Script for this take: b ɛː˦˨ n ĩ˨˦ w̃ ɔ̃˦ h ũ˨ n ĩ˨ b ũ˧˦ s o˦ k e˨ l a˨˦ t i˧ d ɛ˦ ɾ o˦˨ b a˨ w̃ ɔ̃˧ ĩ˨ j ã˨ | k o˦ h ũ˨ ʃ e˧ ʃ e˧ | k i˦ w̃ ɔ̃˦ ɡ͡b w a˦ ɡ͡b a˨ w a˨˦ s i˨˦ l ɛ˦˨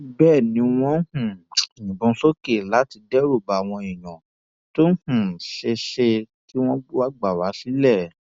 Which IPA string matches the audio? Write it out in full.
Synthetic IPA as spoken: b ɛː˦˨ n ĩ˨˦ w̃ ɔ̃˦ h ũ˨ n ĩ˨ b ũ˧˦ s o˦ k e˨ l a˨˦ t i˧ d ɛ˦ ɾ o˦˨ b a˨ w̃ ɔ̃˧ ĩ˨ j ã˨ | t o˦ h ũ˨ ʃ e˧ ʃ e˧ | k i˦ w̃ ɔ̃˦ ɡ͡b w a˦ ɡ͡b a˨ w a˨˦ s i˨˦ l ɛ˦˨

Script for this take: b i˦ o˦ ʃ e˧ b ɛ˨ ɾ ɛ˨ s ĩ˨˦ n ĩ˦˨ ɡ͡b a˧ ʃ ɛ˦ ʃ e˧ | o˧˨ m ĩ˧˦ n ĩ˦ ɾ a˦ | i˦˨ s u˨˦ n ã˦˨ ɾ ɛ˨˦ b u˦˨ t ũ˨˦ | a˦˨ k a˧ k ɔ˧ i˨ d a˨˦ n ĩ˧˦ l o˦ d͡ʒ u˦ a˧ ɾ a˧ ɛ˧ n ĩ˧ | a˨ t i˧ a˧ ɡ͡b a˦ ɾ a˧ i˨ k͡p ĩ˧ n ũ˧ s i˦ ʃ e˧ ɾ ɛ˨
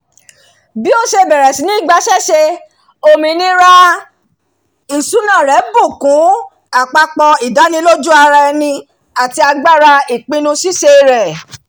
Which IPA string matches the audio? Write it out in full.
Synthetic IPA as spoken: b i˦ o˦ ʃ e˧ b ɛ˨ ɾ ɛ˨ s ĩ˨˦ n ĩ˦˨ ɡ͡b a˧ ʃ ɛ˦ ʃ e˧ | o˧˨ m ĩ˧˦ n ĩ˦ ɾ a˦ | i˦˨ s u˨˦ n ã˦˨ ɾ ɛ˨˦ b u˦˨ k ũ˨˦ | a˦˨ k͡p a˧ k͡p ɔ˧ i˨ d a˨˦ n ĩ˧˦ l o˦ d͡ʒ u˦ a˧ ɾ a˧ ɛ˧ n ĩ˧ | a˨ t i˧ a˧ ɡ͡b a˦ ɾ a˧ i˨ k͡p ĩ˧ n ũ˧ s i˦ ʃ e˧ ɾ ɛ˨

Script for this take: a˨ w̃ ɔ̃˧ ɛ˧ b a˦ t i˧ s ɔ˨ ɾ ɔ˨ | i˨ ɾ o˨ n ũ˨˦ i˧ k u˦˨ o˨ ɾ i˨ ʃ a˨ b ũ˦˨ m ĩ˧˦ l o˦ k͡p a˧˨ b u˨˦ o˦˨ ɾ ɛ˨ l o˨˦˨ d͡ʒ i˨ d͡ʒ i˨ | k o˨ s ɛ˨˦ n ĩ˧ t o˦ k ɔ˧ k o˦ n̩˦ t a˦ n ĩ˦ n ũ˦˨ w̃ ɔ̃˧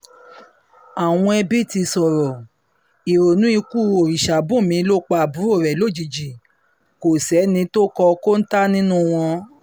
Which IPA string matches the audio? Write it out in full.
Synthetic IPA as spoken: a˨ w̃ ɔ̃˧ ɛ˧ b i˦ t i˧ s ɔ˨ ɾ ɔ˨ | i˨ ɾ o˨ n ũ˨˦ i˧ k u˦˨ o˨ ɾ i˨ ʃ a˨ b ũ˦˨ m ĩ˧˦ l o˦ k͡p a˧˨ b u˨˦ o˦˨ ɾ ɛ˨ l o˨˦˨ d͡ʒ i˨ d͡ʒ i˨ | k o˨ s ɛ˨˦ n ĩ˧ t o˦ k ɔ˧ k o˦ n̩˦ t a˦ n ĩ˦ n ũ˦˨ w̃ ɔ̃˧

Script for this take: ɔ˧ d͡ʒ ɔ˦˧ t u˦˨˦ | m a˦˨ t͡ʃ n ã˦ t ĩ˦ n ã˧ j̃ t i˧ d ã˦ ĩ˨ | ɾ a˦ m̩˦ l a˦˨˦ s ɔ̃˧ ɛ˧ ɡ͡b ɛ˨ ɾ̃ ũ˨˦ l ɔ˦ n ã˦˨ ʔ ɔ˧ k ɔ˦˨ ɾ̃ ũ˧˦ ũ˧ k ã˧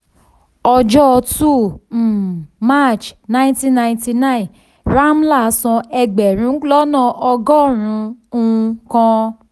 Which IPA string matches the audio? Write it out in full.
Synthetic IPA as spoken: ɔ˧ d͡ʒ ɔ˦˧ t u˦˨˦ | m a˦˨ t͡ʃ n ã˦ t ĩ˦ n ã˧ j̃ t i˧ n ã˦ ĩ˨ | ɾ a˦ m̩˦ l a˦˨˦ s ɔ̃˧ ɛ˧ ɡ͡b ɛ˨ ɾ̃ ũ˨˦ l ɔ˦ n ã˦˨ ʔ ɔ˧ ɡ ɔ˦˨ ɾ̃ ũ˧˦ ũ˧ k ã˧

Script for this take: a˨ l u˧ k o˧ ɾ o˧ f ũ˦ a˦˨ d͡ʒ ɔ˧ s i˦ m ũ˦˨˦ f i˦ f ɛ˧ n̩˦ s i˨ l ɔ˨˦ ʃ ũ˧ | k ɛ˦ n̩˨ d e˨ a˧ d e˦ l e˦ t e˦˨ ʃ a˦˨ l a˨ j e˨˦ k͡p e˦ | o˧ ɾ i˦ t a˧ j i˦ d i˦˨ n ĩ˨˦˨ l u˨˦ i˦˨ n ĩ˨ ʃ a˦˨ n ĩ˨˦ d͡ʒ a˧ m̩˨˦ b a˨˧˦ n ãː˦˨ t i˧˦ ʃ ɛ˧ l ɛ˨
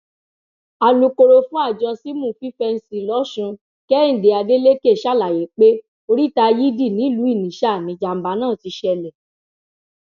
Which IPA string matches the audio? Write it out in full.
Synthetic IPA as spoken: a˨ l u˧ k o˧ ɾ o˧ f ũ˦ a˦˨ d͡ʒ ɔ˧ s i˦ m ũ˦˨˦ f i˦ f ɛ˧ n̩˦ s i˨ l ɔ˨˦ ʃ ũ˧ | k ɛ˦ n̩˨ d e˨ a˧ d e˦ l e˦ k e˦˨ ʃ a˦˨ l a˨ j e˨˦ k͡p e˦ | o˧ ɾ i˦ t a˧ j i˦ d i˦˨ n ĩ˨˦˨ l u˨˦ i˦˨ n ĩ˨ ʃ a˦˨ n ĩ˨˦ d͡ʒ a˧ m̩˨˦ b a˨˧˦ n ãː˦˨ t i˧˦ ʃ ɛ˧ l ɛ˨

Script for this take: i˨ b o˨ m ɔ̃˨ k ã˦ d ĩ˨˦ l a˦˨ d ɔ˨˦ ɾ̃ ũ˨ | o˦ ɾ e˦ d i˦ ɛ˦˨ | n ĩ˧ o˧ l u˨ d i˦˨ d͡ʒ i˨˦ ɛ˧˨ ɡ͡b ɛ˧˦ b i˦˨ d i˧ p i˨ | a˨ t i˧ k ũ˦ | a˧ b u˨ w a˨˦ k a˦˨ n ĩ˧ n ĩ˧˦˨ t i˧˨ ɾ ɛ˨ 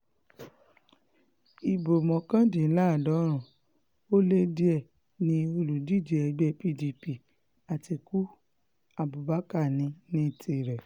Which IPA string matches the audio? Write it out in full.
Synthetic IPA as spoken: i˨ b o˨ m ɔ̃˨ k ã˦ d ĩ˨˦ l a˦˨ d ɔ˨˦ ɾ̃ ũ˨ | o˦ l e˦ d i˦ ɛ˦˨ | n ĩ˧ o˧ l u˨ d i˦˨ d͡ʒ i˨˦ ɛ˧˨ ɡ͡b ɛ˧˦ p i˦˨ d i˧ p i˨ | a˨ t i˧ k u˦ | a˧ b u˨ b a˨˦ k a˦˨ n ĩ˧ n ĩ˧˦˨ t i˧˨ ɾ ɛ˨

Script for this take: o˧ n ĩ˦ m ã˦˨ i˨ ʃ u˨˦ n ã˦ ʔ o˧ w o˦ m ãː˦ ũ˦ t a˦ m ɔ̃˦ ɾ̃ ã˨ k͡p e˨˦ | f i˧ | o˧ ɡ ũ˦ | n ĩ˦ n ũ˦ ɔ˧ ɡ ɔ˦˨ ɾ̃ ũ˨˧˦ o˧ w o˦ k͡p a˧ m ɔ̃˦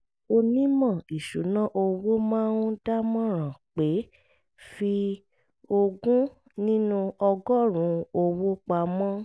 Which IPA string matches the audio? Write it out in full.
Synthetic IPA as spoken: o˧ n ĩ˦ m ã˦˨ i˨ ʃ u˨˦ n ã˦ ʔ o˧ w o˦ m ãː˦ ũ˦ d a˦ m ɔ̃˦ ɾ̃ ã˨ k͡p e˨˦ | f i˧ | o˧ ɡ ũ˦ | n ĩ˦ n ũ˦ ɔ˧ ɡ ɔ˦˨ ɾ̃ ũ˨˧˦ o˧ w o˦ k͡p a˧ m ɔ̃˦

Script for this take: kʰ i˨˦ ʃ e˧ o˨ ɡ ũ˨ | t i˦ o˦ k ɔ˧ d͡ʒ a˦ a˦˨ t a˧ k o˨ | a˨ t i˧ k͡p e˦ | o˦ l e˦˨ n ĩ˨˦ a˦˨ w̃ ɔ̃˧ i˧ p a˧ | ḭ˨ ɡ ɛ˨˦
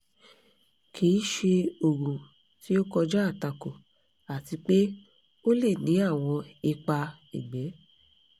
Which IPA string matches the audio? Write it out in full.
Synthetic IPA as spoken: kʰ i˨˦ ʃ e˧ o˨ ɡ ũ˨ | t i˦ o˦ k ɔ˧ d͡ʒ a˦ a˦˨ t a˧ k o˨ | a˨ t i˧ k͡p e˦ | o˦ l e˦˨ n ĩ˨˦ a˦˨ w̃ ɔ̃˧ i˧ k͡p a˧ | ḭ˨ ɡ͡b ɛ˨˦

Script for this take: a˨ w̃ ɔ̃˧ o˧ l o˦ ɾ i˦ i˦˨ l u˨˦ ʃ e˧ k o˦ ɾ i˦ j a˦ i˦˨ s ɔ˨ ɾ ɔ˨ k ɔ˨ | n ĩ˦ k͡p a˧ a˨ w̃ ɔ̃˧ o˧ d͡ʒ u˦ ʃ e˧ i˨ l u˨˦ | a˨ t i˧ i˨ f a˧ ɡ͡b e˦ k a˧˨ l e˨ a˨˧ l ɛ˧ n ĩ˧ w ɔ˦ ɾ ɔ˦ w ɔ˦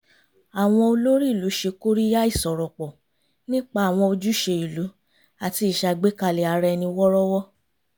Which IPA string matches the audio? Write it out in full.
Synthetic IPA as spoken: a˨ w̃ ɔ̃˧ o˧ l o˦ ɾ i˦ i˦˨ l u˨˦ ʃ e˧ k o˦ ɾ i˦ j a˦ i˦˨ s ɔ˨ ɾ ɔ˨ k͡p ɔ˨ | n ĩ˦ k͡p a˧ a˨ w̃ ɔ̃˧ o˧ d͡ʒ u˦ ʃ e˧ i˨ l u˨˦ | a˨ t i˧ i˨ ʃ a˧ ɡ͡b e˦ k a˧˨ l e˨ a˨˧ ɾ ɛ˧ n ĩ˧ w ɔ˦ ɾ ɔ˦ w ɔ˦

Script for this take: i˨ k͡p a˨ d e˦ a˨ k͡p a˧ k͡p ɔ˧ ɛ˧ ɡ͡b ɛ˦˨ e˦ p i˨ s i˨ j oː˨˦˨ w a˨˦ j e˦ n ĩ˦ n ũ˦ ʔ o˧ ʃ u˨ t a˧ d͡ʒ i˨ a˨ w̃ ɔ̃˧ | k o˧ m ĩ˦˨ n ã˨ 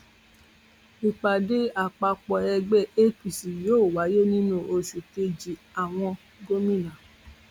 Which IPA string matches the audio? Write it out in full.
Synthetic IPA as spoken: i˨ k͡p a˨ d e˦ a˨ k͡p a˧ k͡p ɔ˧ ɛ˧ ɡ͡b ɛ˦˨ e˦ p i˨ s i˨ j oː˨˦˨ w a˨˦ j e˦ n ĩ˦ n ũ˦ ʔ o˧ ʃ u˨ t e˧ d͡ʒ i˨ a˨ w̃ ɔ̃˧ | ɡ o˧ m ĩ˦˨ n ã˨

